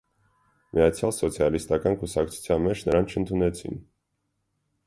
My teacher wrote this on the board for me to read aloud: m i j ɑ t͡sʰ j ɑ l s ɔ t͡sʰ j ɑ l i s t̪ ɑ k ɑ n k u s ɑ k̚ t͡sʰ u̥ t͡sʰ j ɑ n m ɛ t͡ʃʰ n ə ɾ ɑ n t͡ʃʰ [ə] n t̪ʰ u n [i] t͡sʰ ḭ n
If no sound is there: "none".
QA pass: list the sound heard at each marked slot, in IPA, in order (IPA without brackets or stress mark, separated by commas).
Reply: ə, ɛ